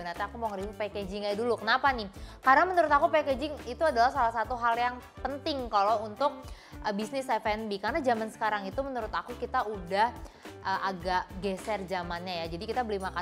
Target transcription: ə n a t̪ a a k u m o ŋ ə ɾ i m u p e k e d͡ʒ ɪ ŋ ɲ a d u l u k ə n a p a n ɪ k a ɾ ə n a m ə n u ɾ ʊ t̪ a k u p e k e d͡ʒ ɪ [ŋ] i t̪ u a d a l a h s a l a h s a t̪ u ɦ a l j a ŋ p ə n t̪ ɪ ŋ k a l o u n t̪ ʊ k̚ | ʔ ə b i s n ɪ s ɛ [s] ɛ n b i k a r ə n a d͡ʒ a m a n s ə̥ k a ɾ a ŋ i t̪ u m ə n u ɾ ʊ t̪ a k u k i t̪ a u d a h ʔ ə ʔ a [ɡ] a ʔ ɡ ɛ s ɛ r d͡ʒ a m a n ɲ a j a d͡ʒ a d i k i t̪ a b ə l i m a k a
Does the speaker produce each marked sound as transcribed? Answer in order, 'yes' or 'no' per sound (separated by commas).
yes, no, yes